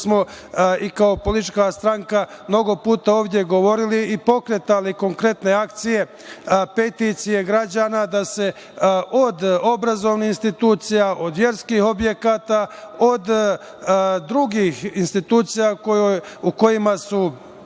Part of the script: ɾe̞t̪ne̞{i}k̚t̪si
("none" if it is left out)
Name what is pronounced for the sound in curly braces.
a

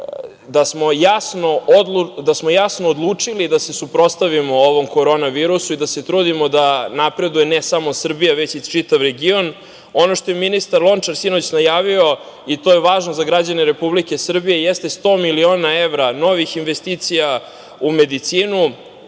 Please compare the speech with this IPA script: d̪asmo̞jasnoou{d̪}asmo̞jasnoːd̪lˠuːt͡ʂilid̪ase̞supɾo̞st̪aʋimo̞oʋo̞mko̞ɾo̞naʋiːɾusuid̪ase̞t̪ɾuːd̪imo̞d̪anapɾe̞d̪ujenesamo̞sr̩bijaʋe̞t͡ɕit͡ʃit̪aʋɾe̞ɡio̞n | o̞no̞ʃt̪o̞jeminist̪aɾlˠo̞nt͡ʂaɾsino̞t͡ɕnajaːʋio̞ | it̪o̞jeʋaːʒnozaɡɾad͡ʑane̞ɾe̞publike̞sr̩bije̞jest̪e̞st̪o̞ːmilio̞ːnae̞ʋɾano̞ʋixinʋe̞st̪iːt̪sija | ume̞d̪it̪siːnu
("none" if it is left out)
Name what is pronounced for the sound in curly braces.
d̪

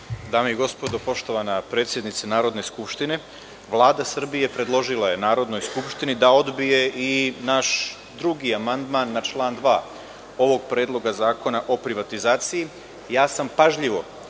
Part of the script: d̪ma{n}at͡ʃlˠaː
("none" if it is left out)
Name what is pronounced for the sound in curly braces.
nː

